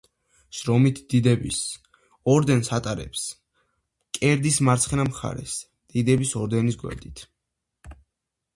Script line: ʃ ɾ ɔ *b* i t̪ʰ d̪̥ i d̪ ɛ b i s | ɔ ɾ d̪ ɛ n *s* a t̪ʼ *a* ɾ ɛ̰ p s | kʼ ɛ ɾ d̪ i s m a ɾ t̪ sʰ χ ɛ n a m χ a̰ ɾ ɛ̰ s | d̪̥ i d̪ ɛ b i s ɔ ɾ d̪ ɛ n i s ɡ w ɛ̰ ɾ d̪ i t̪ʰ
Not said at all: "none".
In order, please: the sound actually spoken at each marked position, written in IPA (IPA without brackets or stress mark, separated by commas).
m, s, a